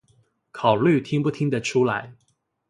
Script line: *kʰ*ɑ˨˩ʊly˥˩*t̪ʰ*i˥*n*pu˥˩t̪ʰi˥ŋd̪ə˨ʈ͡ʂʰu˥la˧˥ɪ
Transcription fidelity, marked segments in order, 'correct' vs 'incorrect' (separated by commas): correct, correct, incorrect